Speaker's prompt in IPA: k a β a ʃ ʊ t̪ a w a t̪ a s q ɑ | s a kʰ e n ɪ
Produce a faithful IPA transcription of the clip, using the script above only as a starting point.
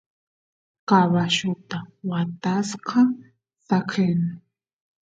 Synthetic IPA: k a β a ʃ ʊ t̪ a w a t̪ a s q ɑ | s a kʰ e n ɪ